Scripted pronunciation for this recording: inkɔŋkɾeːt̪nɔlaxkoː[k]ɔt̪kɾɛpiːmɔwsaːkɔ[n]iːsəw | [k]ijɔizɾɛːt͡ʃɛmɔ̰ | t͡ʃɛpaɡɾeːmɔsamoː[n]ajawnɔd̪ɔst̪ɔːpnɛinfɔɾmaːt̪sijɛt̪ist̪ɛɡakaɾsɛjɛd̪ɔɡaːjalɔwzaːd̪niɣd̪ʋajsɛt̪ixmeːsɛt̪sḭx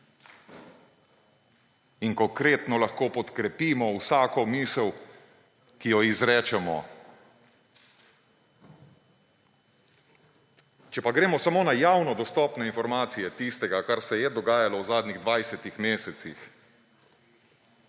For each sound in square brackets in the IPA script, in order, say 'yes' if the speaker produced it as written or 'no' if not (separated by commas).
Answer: no, no, yes, yes